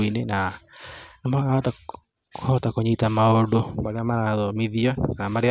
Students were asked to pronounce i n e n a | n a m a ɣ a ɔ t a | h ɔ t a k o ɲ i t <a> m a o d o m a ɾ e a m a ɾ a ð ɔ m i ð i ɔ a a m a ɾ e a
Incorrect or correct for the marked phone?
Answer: correct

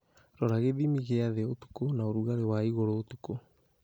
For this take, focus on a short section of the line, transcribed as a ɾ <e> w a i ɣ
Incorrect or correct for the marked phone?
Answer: correct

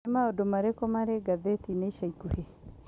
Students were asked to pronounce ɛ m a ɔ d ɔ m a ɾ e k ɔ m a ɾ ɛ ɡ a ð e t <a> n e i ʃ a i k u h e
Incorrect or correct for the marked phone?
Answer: incorrect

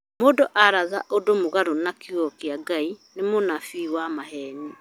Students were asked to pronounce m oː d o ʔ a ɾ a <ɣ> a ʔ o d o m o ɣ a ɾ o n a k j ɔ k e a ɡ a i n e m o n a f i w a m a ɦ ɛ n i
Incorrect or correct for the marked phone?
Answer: incorrect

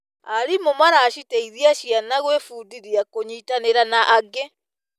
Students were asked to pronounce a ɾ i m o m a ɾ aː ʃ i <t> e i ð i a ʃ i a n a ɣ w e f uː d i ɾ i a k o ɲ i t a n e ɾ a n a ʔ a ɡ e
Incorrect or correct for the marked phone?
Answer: correct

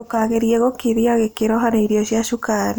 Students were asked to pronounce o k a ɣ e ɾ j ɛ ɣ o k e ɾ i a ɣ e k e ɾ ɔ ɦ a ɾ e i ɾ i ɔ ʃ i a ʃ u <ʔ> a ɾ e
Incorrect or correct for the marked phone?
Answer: incorrect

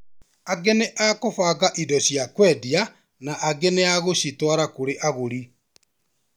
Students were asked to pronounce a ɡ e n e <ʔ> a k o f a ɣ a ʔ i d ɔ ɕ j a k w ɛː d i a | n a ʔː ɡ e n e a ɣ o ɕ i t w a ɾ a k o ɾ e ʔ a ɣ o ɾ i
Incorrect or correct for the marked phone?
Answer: correct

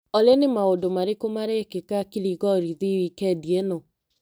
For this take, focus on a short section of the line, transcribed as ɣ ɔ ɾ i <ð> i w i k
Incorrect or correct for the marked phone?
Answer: correct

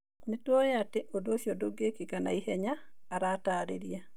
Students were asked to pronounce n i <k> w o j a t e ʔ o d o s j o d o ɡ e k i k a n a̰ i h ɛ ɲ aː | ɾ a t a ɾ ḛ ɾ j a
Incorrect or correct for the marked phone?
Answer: incorrect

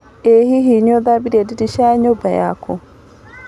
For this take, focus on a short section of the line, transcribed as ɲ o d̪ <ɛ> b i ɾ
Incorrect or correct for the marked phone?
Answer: incorrect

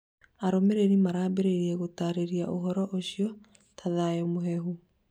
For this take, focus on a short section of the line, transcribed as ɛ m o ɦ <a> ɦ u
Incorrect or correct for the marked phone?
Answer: incorrect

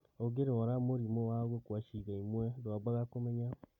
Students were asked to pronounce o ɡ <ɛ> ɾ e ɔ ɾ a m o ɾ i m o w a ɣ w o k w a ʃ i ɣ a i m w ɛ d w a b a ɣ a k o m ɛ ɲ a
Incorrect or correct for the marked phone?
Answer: incorrect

